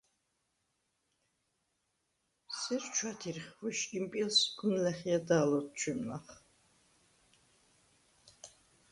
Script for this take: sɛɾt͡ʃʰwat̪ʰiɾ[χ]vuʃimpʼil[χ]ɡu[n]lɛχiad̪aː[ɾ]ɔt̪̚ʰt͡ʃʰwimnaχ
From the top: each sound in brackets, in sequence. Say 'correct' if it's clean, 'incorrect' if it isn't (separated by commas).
correct, incorrect, correct, incorrect